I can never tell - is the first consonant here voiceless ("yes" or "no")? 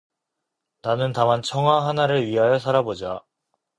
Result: no